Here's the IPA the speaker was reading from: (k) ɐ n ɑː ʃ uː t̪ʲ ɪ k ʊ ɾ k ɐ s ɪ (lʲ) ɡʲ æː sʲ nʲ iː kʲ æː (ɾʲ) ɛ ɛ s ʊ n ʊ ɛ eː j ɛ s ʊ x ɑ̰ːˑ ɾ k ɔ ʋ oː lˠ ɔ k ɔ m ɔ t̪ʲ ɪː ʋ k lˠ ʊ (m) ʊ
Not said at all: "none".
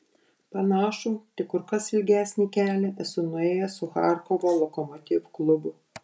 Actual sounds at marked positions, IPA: p, lʲ, lʲ, b

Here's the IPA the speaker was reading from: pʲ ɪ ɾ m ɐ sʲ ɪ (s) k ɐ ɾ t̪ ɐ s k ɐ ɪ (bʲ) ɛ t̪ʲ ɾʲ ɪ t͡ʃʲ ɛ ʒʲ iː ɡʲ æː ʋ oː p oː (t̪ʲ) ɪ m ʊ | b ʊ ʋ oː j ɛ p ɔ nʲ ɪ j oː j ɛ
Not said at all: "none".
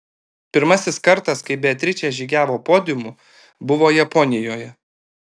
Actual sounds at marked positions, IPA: s, bʲ, d̪ʲ

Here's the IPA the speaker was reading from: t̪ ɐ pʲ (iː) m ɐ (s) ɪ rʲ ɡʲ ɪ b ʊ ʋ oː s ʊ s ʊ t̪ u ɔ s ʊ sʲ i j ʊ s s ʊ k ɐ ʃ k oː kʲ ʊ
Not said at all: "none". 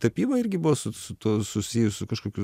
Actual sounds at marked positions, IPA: iː, none

